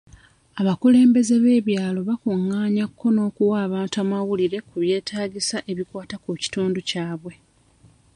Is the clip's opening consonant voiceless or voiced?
voiced